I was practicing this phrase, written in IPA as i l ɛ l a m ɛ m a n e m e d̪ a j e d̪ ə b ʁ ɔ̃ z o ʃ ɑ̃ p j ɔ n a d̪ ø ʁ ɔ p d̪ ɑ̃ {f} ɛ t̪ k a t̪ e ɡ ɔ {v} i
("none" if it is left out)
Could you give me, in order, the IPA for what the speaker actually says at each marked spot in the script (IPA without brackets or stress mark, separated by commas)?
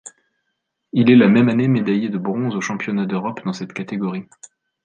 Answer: s, ʁ